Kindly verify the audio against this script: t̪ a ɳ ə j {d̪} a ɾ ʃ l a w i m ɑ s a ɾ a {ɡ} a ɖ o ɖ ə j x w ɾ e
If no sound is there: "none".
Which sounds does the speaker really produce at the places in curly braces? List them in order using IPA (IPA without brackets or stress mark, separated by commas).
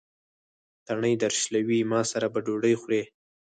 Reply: d̪, b